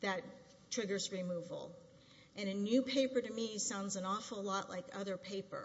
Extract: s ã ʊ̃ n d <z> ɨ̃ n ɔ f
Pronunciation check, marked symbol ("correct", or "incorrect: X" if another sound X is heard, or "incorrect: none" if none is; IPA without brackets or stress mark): correct